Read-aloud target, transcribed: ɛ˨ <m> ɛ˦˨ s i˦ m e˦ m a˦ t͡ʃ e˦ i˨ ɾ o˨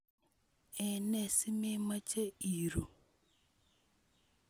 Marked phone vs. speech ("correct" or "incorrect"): incorrect